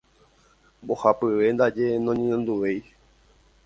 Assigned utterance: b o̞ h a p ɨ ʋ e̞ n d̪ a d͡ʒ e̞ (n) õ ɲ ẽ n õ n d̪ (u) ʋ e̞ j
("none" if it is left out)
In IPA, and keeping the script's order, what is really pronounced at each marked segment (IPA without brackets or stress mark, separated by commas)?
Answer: n, u